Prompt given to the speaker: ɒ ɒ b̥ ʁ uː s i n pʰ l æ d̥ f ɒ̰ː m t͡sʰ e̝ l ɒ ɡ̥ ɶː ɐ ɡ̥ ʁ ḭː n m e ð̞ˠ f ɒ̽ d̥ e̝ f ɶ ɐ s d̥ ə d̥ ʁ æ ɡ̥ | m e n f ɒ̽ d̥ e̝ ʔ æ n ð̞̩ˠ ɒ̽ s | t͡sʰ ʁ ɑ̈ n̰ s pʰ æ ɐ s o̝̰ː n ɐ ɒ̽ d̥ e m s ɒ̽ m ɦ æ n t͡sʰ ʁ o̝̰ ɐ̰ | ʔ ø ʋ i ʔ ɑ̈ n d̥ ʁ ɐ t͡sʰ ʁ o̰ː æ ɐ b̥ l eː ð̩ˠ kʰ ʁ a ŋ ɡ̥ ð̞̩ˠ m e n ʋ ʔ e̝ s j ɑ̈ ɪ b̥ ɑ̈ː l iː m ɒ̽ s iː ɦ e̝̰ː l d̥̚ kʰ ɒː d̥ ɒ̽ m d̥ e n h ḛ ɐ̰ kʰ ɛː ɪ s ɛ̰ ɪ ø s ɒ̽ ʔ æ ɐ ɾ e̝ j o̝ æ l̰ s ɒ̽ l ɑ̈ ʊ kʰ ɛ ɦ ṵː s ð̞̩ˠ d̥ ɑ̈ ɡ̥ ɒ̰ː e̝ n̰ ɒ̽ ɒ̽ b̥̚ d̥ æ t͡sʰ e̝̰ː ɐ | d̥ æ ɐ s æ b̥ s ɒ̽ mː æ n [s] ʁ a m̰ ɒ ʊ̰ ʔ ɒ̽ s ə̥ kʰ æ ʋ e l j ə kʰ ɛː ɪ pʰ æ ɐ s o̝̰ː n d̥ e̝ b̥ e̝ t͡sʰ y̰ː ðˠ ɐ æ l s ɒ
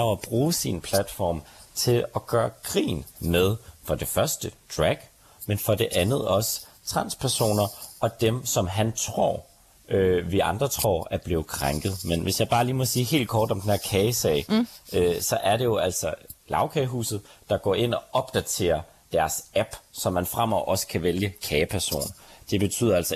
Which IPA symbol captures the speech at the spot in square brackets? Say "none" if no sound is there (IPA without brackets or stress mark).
f